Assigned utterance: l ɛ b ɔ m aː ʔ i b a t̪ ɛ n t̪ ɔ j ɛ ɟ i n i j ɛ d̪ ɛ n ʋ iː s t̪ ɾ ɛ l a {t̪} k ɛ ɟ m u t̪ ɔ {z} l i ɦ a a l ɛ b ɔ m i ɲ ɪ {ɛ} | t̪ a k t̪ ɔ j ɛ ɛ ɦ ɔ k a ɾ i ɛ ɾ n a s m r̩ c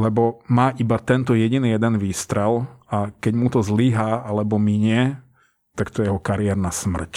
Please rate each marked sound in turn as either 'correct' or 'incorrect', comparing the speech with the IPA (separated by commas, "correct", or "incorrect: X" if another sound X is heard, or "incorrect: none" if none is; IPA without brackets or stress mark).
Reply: incorrect: none, correct, correct